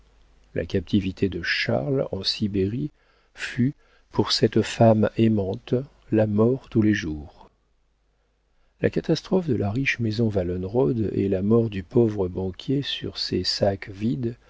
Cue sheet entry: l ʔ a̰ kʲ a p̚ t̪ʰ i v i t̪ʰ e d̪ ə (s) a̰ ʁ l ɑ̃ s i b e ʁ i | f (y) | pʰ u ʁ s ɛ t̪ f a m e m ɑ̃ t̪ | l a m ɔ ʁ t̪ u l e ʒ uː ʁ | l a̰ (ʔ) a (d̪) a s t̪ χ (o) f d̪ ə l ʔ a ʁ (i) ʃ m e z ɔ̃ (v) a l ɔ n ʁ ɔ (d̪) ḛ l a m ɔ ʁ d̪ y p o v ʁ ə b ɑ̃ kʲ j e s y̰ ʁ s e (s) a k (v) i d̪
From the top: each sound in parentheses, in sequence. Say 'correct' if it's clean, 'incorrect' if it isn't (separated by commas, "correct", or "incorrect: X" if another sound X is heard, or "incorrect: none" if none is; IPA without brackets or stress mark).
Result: incorrect: ʃ, correct, incorrect: k, incorrect: t̪, incorrect: ɔ, correct, correct, correct, correct, correct